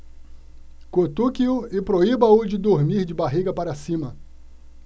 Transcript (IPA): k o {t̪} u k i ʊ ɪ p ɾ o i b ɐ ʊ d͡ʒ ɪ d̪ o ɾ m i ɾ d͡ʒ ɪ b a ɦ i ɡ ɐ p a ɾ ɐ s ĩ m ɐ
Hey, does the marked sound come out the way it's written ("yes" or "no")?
yes